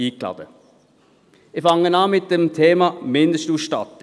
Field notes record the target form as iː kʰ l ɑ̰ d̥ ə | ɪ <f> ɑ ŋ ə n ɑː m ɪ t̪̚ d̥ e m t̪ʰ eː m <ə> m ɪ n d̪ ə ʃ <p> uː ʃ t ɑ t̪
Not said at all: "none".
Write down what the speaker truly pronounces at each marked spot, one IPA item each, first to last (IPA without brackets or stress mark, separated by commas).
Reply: f, ɑ, t